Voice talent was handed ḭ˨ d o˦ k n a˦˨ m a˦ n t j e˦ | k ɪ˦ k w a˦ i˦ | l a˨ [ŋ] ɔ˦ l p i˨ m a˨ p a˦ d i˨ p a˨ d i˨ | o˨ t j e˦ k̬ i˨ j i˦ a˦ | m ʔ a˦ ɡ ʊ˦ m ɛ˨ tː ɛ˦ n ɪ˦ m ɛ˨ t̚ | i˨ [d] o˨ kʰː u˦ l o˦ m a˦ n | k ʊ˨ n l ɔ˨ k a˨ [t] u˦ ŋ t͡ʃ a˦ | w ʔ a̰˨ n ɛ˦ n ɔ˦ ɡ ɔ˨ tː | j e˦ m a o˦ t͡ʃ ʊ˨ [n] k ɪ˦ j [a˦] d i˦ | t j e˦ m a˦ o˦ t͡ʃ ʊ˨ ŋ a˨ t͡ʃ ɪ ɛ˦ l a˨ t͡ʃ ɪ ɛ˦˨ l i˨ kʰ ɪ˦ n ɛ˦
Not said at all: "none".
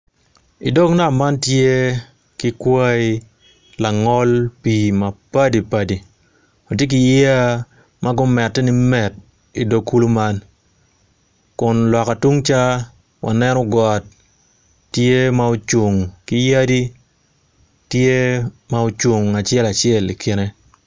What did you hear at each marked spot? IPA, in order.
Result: ŋ, d, t, ŋ, a˦

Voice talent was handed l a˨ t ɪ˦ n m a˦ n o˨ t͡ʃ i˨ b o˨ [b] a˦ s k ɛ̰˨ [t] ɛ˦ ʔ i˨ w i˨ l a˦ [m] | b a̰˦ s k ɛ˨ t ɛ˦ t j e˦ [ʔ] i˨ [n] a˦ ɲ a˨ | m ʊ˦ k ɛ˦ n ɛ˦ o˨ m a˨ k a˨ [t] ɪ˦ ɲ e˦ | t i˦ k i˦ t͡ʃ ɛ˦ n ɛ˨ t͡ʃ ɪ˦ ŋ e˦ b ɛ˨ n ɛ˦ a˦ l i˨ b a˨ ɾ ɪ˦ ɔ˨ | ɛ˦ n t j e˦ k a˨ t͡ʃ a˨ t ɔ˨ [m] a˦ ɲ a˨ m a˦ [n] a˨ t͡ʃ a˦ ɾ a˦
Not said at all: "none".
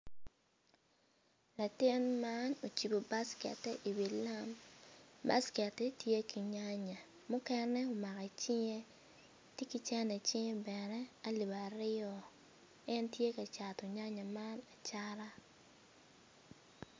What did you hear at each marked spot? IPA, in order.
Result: b, t, m, k, ɲ, t͡ʃ, ɲ, n

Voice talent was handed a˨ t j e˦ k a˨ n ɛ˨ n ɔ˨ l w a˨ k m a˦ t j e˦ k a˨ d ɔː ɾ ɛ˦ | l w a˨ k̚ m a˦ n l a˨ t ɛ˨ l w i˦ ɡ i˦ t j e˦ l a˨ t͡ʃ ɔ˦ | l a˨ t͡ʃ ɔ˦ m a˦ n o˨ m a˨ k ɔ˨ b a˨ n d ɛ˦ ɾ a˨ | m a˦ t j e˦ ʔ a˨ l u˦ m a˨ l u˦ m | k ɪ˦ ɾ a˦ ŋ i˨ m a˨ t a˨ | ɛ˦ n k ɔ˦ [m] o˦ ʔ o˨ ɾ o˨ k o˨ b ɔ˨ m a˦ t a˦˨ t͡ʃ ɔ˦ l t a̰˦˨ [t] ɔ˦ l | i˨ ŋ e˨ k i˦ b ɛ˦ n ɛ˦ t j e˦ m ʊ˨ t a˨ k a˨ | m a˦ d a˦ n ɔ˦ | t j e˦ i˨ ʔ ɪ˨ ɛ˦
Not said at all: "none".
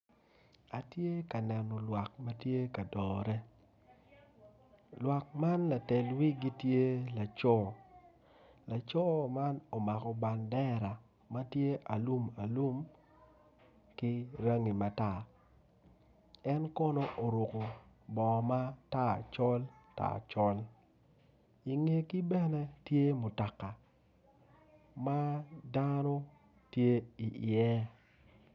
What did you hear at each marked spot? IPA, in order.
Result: n, t͡ʃ

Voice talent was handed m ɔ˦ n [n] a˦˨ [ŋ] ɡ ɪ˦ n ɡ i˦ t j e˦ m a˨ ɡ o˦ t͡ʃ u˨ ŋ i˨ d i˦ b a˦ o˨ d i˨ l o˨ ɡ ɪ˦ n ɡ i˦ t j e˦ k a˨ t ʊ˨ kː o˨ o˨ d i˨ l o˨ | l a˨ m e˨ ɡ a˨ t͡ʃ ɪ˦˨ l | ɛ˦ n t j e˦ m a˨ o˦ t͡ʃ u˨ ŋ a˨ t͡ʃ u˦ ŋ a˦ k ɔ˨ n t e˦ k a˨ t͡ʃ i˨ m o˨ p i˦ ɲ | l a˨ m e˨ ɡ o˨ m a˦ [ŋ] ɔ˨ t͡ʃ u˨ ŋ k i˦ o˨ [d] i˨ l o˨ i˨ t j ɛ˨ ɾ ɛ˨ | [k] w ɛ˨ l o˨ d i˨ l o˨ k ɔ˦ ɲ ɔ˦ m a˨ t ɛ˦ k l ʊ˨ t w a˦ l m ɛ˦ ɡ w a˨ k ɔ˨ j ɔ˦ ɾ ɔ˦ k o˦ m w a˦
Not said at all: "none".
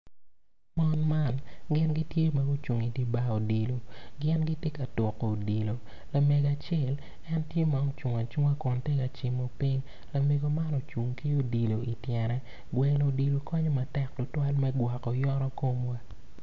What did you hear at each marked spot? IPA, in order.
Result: m, n, n, d, ɡ

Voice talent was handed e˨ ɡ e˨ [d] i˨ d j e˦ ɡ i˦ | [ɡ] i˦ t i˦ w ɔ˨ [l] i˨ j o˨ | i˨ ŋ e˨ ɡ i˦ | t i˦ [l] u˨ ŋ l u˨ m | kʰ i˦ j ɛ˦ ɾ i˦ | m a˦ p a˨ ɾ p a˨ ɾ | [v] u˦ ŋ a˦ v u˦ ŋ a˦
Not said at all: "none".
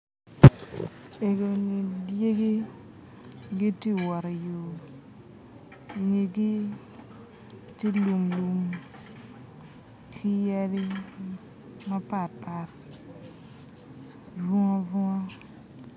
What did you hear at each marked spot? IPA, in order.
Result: n, ɡ, ɾ, l, v

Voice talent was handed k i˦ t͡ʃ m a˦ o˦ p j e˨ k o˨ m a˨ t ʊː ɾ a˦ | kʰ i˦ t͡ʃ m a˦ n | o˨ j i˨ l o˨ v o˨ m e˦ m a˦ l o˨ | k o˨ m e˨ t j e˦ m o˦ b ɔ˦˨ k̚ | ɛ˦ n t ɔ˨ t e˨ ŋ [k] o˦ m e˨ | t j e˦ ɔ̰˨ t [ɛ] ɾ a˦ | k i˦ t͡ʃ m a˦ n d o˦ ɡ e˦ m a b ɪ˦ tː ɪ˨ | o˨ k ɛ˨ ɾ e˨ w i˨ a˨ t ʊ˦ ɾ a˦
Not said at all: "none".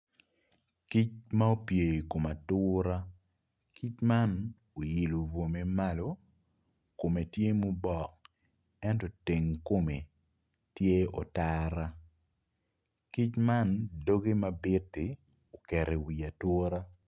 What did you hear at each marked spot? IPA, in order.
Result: k, a

